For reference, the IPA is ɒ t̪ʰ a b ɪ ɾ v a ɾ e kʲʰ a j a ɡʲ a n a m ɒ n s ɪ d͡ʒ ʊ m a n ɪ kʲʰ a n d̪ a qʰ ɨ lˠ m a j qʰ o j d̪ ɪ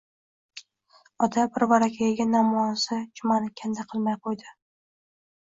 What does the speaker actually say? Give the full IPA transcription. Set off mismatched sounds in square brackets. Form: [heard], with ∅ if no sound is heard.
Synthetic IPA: ɒ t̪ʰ a b ɪ ɾ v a ɾ [a] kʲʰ a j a ɡʲ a n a m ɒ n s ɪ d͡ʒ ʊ m a n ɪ kʲʰ a n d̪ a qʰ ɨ lˠ m a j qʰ o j d̪ ɪ